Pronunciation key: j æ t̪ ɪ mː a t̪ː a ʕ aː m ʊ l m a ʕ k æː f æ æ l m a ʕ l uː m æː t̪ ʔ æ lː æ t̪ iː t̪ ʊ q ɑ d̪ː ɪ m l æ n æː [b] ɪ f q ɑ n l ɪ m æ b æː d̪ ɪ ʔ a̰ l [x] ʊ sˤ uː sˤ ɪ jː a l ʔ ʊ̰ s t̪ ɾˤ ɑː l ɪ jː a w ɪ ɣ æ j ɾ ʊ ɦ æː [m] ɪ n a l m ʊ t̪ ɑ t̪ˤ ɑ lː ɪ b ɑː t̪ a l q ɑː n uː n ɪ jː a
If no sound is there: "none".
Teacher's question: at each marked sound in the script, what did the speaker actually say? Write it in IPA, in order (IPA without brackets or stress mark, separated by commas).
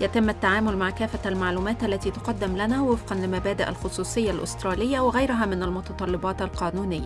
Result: w, x, m